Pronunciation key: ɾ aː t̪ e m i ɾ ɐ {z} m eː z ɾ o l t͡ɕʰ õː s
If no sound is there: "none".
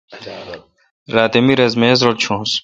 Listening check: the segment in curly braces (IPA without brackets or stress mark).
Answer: z